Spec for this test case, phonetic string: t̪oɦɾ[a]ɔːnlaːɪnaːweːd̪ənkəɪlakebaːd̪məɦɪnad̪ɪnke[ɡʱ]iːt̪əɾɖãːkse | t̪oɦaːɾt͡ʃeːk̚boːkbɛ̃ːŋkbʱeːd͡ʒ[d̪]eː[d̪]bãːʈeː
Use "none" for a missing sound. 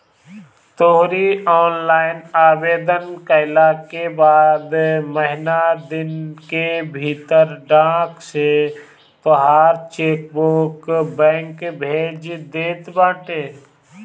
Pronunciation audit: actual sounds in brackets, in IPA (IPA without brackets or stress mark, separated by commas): i, bʱ, d̪, t̪